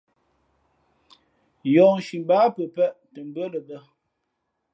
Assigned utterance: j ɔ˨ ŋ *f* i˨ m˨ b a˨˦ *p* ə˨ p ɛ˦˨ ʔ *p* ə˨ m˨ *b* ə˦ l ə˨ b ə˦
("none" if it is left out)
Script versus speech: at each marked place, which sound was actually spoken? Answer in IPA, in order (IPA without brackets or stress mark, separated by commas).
ʃ, p, t, b